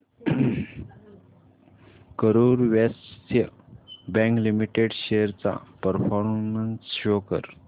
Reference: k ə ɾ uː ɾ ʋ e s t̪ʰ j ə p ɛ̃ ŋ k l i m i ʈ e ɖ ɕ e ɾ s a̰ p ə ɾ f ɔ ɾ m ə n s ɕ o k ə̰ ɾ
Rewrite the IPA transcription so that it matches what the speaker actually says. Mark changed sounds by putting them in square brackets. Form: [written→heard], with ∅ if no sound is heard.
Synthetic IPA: k ə ɾ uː ɾ ʋ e s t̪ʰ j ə [p→b] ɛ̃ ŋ k l i m i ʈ e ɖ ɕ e ɾ [s→t͡s] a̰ p ə ɾ f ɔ ɾ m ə n s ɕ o k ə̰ ɾ

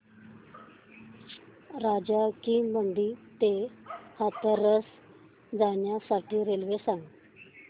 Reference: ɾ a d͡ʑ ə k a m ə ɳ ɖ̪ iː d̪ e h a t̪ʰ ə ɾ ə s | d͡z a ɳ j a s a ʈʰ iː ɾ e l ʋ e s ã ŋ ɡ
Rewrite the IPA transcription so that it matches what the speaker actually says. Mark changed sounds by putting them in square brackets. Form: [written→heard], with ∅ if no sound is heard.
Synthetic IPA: ɾ a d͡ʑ [ə→a] k [a→i] m ə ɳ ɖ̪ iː [d̪→t̪] e h a [t̪ʰ→t̪] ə ɾ ə s | d͡z a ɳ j a s a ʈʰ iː ɾ e l ʋ e s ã ŋ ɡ

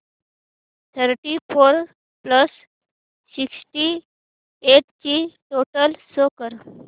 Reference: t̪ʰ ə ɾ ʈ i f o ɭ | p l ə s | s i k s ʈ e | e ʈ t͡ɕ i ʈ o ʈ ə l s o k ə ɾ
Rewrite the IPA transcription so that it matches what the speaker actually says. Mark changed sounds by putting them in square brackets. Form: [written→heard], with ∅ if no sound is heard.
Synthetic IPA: t̪ʰ ə ɾ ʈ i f o [ɭ→ɾ] | p l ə s | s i k s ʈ [e→i] | e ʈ t͡ɕ i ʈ o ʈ ə l s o k ə ɾ

